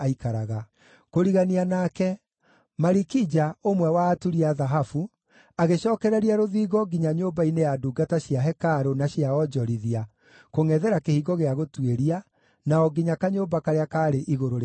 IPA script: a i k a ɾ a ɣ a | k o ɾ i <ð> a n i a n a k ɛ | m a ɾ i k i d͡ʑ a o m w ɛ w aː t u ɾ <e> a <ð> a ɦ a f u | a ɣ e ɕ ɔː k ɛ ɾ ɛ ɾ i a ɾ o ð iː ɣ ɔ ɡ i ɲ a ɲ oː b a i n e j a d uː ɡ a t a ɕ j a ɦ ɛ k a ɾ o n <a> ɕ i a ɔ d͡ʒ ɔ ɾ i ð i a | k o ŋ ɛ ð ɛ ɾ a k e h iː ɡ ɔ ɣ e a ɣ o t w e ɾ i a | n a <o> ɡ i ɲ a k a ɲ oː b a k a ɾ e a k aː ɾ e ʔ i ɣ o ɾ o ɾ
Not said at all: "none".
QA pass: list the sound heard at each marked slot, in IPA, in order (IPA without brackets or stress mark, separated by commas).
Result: ɣ, i, ð, a, ɔ